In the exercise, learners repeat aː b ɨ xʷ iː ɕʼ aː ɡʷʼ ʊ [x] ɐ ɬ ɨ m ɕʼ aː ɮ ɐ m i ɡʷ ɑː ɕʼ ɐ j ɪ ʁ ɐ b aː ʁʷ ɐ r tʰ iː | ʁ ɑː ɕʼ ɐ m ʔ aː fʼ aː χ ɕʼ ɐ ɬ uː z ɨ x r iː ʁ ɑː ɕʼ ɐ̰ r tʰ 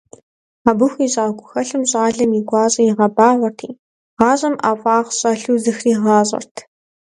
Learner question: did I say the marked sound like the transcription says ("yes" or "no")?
yes